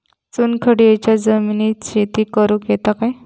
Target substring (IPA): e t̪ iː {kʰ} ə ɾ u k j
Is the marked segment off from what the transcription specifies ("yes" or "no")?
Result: yes